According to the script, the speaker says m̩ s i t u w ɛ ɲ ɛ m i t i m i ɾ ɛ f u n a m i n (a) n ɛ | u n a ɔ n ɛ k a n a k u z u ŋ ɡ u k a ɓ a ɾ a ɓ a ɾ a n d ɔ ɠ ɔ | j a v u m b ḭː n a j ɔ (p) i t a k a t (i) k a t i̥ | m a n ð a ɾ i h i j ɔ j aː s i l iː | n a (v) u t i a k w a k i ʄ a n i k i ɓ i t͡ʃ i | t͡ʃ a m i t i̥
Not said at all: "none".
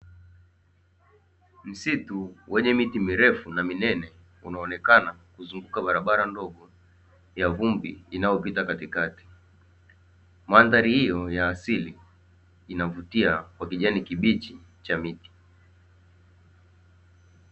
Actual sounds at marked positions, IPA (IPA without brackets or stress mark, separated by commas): ɛ, p, i, v